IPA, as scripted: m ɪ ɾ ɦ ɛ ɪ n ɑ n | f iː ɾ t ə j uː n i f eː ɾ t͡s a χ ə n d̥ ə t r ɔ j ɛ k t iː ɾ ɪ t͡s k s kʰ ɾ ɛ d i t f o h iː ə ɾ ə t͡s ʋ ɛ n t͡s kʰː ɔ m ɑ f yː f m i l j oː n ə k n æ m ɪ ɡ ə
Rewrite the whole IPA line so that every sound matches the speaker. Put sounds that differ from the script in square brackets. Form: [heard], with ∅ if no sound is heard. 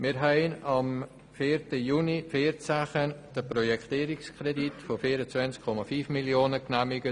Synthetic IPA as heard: m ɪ ɾ ɦ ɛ ɪ n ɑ [m] | f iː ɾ t ə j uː n i f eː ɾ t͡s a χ ə n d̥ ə [p] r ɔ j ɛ k t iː ɾ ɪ [∅] k s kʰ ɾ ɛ d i t f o [f] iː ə ɾ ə t͡s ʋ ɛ n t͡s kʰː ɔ m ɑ f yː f m i l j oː n ə k n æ m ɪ ɡ ə